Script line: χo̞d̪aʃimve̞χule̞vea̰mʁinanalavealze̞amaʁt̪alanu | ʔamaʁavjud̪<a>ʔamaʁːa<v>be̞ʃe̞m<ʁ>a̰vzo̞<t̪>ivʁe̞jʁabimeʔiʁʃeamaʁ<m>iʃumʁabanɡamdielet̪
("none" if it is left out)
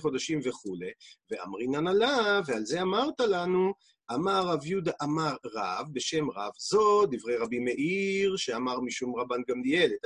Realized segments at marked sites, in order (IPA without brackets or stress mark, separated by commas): a, v, ʁ, d̪, m